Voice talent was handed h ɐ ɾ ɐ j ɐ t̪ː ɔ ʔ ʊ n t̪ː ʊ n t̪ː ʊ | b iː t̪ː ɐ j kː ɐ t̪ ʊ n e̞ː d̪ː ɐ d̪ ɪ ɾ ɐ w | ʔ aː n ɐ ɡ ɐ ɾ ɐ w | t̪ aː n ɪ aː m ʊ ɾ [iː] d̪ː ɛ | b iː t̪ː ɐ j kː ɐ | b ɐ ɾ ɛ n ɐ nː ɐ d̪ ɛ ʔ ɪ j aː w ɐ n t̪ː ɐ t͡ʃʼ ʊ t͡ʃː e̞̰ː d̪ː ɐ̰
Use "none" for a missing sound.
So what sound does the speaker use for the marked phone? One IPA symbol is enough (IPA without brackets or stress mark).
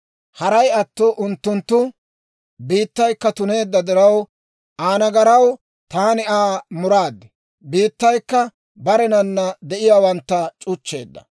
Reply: aː